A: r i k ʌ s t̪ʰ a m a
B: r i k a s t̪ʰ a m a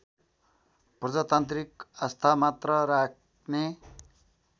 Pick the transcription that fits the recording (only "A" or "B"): A